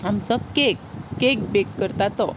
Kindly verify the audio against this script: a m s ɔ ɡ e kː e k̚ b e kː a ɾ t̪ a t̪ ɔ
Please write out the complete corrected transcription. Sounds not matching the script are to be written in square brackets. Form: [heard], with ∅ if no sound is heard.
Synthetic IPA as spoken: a m [t͡s] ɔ [k] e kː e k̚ b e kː [ə] ɾ t̪ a t̪ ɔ